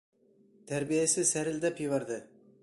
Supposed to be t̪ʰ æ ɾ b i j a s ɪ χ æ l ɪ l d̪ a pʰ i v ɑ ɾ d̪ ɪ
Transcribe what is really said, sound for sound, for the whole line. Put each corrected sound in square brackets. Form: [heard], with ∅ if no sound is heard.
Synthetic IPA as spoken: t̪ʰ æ ɾ b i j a s ɪ [s] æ [ɾ] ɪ l d̪ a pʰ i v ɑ ɾ d̪ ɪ